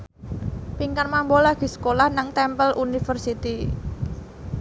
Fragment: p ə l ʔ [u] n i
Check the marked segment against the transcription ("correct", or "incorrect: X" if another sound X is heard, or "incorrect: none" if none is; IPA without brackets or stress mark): correct